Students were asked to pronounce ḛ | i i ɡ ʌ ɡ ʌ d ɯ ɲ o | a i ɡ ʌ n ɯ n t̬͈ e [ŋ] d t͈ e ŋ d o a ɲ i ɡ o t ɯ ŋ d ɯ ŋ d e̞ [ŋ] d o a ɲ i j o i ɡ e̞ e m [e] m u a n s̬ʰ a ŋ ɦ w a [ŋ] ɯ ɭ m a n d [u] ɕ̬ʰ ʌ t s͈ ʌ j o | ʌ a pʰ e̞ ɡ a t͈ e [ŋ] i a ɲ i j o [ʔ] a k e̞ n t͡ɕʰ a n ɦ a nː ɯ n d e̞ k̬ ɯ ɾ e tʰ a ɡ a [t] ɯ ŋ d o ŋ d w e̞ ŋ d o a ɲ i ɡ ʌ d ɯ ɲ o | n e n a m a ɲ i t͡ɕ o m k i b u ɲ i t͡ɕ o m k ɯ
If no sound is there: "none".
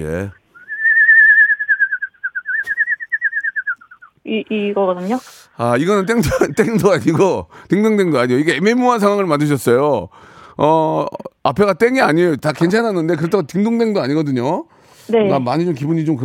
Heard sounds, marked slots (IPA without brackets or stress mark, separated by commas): ŋ, ŋ, e, ŋ, ɯ, ŋ, t, t